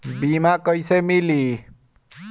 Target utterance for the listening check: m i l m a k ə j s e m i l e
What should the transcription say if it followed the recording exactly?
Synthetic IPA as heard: b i m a k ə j s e m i l i